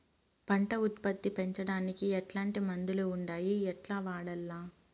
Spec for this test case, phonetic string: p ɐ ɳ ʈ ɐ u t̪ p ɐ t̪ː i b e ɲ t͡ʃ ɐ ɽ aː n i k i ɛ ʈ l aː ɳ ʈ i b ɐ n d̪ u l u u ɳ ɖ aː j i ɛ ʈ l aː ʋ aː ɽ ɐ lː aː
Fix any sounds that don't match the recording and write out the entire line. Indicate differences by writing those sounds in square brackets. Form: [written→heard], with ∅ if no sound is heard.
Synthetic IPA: p ɐ ɳ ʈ ɐ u t̪ p ɐ t̪ː i [b→p] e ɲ t͡ʃ ɐ ɽ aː n i k i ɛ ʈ l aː ɳ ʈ i [b→m] ɐ n d̪ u l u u ɳ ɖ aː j i ɛ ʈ l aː ʋ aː ɽ ɐ lː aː

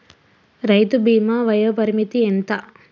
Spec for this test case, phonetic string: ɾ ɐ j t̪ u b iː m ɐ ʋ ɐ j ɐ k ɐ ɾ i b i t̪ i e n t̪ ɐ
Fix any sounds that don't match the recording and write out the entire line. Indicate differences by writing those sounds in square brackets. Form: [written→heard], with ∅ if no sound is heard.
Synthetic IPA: ɾ ɐ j t̪ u b iː m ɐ ʋ ɐ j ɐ [k→p] ɐ ɾ i [b→m] i t̪ i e n t̪ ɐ

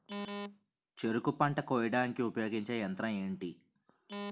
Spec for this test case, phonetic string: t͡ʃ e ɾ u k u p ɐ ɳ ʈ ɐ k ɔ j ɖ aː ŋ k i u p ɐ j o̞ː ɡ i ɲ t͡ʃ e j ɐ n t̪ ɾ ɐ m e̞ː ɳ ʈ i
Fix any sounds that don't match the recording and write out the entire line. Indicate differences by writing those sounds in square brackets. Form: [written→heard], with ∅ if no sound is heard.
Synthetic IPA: t͡ʃ e ɾ u k u p ɐ ɳ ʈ ɐ k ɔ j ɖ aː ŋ k i u p ɐ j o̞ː ɡ i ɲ t͡ʃ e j ɐ n t̪ ɾ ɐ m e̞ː ɳ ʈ i

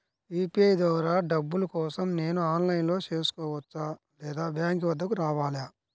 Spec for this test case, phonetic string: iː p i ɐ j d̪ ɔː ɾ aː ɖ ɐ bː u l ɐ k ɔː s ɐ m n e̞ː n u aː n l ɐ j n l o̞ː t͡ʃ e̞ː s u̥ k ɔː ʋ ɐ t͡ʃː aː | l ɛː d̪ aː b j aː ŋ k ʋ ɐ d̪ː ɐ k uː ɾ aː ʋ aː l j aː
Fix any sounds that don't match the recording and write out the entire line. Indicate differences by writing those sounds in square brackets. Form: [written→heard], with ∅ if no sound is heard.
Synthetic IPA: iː p i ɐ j d̪ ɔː ɾ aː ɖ ɐ bː u l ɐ k ɔː s ɐ m n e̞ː n u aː n l ɐ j n l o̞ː t͡ʃ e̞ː s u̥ k ɔː ʋ ɐ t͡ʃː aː | l ɛː d̪ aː b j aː ŋ k ʋ ɐ d̪ː ɐ k [uː→u] ɾ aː ʋ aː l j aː

